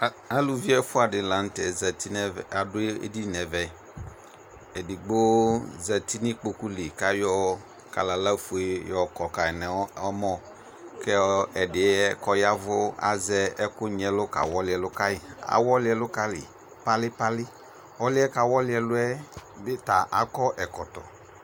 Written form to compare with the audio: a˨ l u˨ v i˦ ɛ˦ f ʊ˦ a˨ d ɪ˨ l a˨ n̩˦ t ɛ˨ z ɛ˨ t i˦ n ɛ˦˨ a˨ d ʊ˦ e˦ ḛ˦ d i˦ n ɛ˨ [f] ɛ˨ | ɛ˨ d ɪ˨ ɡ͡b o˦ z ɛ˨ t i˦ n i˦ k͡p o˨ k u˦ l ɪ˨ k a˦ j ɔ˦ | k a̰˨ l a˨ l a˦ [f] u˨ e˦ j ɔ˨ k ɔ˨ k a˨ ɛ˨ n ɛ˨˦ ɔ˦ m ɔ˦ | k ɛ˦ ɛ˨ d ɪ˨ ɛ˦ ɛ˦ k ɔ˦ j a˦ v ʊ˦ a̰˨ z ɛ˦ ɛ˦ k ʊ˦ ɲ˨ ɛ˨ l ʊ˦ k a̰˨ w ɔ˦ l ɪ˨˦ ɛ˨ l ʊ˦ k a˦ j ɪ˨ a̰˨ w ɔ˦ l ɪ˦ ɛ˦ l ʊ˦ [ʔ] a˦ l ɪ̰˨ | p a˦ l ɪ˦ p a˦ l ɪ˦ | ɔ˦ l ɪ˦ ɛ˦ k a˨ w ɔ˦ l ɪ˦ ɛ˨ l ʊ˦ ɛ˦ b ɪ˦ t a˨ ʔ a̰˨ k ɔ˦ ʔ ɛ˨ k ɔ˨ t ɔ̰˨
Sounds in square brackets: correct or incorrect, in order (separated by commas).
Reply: incorrect, correct, incorrect